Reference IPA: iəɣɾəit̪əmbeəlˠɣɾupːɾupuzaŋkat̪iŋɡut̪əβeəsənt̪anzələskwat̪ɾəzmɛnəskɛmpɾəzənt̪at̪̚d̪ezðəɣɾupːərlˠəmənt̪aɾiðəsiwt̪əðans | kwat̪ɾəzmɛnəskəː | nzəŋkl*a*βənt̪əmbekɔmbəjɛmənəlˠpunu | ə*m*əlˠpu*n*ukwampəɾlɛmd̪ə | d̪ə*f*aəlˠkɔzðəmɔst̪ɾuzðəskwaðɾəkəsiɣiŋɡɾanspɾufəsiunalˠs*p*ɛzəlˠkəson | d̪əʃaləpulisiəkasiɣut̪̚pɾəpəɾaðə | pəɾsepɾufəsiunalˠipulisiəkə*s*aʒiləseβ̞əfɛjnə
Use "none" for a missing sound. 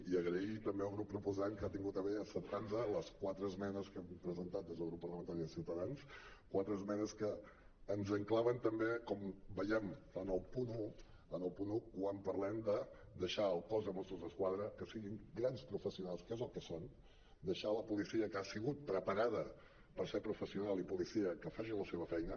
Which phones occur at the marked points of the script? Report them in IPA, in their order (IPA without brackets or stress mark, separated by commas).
a, n, n, ʃ, k, f